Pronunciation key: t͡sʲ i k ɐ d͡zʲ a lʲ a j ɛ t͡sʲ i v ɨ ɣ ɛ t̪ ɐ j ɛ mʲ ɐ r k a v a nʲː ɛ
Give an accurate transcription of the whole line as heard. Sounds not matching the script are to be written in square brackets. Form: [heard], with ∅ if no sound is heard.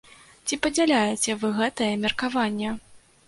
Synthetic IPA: t͡sʲ i [p] ɐ d͡zʲ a lʲ a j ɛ t͡sʲ [ɛ] v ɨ ɣ ɛ t̪ ɐ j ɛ mʲ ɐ r k a v a nʲː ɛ